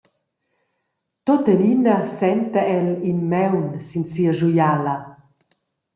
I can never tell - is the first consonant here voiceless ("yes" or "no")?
yes